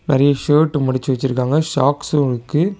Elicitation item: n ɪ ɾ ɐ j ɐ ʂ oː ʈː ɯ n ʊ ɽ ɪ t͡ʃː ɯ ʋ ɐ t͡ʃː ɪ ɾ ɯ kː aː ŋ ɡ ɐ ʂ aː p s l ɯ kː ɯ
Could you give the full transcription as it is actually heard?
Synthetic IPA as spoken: n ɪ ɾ ɐ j ɐ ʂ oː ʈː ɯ m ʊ ɽ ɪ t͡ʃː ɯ ʋ ɐ t͡ʃː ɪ ɾ ɯ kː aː ŋ ɡ ɐ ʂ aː k s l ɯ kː ɯ